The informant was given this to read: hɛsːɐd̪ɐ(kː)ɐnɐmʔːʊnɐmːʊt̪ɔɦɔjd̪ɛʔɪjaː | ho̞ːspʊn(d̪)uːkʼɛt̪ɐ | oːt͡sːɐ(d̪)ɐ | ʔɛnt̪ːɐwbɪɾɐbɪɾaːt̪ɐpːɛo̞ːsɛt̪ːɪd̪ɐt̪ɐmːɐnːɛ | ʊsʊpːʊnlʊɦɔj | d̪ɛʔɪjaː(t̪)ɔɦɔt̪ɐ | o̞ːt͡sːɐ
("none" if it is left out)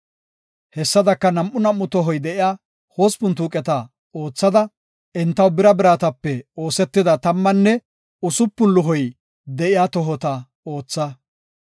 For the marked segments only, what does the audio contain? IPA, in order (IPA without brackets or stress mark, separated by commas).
kː, t̪, d̪, t̪